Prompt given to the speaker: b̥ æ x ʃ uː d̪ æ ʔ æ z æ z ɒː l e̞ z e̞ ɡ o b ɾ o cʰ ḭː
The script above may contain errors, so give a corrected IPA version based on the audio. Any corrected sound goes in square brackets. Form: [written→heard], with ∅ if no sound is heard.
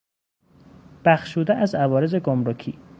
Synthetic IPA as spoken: b̥ æ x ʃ uː d̪ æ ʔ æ z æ [z→v] ɒː [l→ɾ] e̞ z e̞ ɡ o [b→m] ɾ o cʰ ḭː